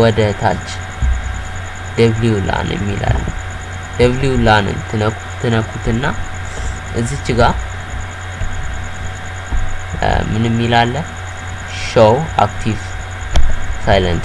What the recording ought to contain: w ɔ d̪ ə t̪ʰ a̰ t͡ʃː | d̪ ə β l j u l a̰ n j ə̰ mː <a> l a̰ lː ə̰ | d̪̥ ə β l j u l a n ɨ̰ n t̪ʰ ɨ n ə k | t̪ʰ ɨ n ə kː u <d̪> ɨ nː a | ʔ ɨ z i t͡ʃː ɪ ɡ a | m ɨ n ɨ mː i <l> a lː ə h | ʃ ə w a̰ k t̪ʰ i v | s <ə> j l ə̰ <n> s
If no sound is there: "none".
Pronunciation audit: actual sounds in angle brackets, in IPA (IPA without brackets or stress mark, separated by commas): i, t̪, l, a, n